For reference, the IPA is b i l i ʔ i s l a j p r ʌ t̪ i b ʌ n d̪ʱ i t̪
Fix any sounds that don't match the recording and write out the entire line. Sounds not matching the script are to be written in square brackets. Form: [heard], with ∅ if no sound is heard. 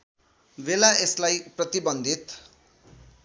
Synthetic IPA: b [e] l [a] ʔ [e] s l a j p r ʌ t̪ i b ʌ n d̪ʱ i t̪